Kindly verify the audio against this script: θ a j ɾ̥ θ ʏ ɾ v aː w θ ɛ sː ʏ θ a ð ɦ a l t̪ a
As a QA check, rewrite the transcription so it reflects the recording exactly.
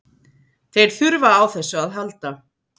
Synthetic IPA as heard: θ e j ɾ̥ θ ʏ ɾ v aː w θ ɛ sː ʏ a ð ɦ a l t̪ a